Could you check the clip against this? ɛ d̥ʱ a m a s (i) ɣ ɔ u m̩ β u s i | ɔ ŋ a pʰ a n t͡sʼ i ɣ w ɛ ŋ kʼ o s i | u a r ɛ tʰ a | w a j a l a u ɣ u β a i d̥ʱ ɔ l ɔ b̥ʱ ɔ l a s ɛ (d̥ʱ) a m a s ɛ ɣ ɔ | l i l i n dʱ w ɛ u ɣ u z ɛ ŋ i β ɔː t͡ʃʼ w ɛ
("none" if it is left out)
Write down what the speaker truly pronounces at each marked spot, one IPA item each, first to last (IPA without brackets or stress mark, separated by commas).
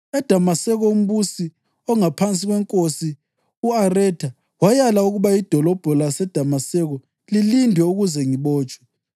ɛ, d̥ʱ